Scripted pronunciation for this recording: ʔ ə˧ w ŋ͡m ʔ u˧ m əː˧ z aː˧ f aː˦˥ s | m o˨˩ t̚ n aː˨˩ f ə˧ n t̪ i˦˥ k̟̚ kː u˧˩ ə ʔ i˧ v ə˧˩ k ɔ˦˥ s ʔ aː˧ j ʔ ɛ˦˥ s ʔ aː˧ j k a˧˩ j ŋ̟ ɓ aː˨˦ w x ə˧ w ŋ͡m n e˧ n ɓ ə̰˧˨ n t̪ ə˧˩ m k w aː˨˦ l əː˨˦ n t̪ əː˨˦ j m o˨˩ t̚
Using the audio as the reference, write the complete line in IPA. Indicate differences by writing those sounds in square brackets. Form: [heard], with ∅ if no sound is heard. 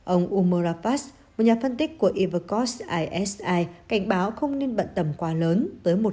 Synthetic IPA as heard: ʔ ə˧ w ŋ͡m ʔ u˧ m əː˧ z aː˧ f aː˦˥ s | m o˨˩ t̚ [ɲ] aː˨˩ f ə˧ n t̪ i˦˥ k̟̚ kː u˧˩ ə ʔ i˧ v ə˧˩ k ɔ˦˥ s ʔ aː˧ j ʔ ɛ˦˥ s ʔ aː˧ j k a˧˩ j ŋ̟ ɓ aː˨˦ w x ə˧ w ŋ͡m n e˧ n ɓ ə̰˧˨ n t̪ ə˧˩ m k w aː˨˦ l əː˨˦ n t̪ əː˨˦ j m o˨˩ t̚